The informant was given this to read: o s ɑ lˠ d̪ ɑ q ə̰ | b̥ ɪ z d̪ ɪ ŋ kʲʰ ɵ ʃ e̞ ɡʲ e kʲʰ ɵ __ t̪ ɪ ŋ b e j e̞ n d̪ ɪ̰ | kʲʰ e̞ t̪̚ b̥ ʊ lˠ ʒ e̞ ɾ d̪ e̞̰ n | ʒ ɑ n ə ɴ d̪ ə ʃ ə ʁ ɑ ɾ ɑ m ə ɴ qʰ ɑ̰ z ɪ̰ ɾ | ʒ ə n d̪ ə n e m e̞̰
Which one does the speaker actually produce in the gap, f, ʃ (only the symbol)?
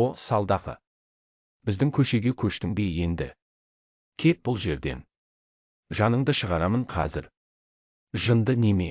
ʃ